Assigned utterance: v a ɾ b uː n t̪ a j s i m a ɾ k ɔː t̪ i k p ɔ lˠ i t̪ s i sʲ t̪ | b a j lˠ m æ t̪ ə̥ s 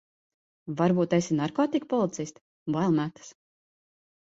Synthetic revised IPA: v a ɾ b uː t̪ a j s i n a ɾ k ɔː t̪ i k p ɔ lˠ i t̪ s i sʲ t̪ | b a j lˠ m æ t̪ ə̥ s